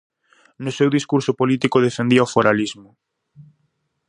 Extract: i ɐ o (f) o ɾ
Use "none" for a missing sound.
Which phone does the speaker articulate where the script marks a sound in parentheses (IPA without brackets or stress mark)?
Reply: f